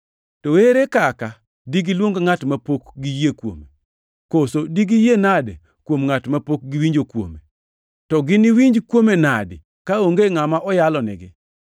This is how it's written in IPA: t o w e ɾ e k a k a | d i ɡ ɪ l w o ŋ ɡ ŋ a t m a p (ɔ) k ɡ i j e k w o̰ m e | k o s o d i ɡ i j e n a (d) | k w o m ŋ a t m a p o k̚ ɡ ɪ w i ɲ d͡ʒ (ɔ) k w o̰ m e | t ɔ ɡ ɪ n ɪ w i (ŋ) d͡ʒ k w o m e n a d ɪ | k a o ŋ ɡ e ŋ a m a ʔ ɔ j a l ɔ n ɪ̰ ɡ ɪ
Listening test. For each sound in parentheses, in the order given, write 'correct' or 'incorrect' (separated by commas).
incorrect, correct, incorrect, incorrect